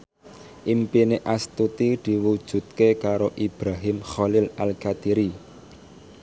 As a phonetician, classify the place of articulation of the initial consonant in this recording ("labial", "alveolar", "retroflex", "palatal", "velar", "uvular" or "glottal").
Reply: glottal